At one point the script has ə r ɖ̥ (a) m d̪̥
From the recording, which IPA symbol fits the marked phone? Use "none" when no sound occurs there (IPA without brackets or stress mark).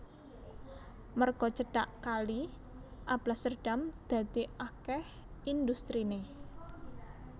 a